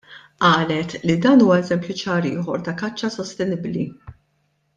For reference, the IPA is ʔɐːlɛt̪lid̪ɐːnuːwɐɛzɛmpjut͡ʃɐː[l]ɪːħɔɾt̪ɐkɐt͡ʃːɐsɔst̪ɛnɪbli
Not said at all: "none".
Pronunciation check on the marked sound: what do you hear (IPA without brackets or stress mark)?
ɾ